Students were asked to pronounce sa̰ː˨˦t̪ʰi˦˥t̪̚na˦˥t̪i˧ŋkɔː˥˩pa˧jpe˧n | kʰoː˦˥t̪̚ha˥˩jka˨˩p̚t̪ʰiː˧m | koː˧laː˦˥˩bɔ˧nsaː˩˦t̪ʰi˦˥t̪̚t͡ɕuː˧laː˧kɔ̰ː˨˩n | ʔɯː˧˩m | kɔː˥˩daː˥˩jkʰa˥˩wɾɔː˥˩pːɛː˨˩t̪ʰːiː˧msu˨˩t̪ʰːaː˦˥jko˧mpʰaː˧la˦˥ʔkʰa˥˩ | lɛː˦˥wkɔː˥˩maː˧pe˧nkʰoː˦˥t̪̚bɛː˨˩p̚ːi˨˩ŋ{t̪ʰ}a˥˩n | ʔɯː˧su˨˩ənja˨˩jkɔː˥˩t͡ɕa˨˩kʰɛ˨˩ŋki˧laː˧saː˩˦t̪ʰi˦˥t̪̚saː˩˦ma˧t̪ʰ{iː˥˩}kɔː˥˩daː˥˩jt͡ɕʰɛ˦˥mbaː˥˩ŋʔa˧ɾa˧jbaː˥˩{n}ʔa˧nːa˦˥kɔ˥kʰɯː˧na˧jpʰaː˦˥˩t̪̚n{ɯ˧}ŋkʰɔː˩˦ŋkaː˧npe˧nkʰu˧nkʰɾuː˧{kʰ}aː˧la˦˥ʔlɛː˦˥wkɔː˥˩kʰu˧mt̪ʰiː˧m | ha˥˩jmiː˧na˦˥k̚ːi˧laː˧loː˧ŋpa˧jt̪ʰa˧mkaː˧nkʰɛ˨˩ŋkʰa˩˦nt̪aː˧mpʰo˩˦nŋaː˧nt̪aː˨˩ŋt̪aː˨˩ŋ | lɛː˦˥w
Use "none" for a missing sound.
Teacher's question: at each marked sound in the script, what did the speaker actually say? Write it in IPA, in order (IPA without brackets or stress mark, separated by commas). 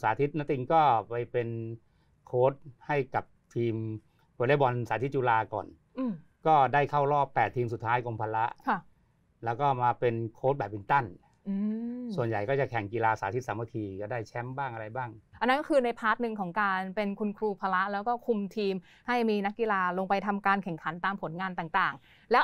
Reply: t̪, iː˧, ŋ, ɯ˧, pʰ